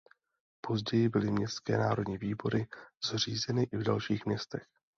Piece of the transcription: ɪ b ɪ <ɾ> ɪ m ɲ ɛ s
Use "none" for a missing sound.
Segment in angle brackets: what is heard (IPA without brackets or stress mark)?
l